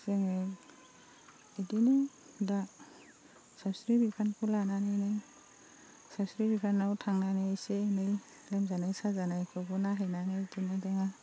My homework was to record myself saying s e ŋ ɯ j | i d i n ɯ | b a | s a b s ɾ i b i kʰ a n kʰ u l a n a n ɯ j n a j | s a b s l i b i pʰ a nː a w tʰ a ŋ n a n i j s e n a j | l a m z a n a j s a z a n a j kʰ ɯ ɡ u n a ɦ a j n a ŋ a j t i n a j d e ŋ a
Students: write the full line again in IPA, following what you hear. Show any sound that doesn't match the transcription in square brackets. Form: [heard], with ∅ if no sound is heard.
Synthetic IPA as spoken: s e ŋ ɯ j | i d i n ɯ | [d] a | s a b s ɾ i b i [pʰ] a n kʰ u l a n a n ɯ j n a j | s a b s [ɾ] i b i pʰ a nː a w tʰ a ŋ n a n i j s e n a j | l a m z a n a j s a z a n a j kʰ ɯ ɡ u n a ɦ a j n a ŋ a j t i n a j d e ŋ a